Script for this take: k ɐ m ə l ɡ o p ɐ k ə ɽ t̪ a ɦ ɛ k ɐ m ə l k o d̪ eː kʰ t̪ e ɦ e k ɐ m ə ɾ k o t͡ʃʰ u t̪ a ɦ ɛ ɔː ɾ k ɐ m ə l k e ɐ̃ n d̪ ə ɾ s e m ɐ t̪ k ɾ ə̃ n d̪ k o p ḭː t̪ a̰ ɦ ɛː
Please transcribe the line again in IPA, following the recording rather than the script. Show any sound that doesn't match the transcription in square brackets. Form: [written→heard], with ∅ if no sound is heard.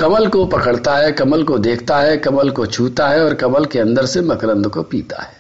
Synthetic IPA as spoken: k ɐ m ə l [ɡ→k] o p ɐ k ə ɽ t̪ a ɦ ɛ k ɐ m ə l k o d̪ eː kʰ t̪ [e→a] ɦ [e→ɛ] k ɐ m ə [ɾ→l] k o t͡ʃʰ [u→uː] t̪ a ɦ ɛ ɔː ɾ k ɐ m ə l k e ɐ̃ n d̪ ə ɾ s e m ɐ [t̪→∅] k ɾ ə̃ n d̪ k o p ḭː t̪ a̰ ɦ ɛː